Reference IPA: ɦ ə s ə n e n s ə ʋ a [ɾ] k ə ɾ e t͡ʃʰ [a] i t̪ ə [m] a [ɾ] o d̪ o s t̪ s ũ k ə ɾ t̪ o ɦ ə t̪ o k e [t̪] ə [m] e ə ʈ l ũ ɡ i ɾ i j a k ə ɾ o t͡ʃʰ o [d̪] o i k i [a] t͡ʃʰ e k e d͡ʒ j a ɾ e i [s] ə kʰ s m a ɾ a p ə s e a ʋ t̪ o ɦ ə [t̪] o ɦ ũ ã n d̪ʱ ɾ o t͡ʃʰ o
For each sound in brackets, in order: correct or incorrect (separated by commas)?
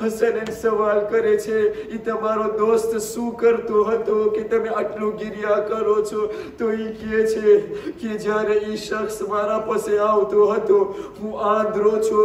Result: incorrect, incorrect, correct, correct, correct, correct, incorrect, incorrect, incorrect, correct